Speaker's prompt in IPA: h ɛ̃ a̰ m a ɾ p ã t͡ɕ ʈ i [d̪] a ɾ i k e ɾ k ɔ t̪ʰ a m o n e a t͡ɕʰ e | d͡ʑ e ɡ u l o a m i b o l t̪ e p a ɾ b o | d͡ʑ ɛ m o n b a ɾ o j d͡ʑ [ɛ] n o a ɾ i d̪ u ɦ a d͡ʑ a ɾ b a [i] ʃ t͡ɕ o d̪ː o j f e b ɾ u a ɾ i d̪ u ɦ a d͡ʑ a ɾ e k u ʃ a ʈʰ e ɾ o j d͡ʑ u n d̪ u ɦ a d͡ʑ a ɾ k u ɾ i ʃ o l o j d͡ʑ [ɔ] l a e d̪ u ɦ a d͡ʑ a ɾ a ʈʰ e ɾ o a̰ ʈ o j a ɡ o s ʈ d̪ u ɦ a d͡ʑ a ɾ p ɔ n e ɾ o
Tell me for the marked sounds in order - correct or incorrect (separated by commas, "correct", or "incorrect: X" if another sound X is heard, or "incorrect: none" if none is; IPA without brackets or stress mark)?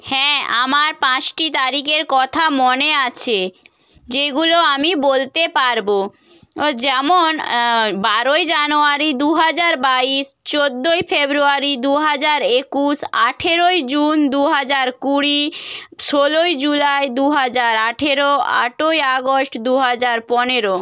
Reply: incorrect: t̪, incorrect: a, correct, incorrect: u